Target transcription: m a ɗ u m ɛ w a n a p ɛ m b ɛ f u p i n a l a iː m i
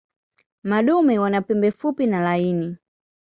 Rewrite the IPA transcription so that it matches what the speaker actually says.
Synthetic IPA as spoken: m a ɗ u m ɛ w a n a p ɛ m b ɛ f u p i n a l a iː n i

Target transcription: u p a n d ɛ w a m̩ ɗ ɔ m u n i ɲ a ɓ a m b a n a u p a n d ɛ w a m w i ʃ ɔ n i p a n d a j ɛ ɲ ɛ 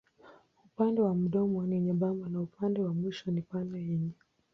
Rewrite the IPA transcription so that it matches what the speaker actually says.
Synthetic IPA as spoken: u p a n d ɛ w a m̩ ɗ ɔ m ɔ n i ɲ a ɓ a m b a n a u p a n d ɛ w a m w i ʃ ɔ n i p a n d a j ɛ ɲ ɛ

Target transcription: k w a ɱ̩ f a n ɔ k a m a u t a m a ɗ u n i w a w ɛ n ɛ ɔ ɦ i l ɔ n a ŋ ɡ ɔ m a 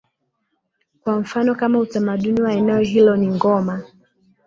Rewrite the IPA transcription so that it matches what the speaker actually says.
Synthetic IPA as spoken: k w a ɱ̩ f a n ɔ k a m a u t a m a ɗ u n i w a ɛ n ɛ ɔ ɦ i l ɔ n i ŋ ɡ ɔ m a

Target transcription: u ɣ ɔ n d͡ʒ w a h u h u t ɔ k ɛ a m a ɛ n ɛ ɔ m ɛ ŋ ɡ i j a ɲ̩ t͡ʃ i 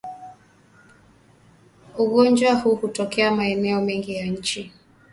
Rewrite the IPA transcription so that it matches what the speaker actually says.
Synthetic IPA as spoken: u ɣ ɔ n d͡ʒ w a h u h u t ɔ k ɛ a m a ɛ n ɛ ɔ m ɛ ŋ ɡ i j a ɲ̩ t͡ʃ i

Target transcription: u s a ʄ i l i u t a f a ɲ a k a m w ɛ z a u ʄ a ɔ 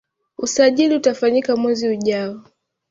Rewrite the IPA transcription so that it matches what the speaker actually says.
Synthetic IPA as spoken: u s a ʄ i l i u t a f a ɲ i k a m w ɛ z i u ʄ a ɔ

